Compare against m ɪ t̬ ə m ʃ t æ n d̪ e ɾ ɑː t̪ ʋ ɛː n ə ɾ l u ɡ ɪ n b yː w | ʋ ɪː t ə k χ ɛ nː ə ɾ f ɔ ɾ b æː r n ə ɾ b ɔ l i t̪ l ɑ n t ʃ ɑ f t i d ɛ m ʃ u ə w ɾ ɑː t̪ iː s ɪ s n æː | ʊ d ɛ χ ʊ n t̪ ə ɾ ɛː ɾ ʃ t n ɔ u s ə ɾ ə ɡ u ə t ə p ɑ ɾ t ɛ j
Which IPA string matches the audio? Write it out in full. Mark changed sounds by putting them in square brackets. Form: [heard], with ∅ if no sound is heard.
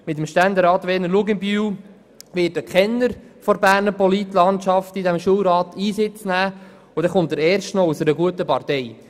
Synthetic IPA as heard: m ɪ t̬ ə m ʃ t æ n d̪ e ɾ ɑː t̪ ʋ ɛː n ə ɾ l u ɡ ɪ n b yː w | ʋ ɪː t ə k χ ɛ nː ə ɾ f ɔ ɾ b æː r n ə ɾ [p] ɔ l i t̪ l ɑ n t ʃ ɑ f t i d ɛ m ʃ u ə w ɾ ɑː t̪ iː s ɪ [t͡s] n æː | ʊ d ɛ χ ʊ n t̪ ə ɾ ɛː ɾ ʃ t n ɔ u s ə ɾ ə ɡ u ə t ə p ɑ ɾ t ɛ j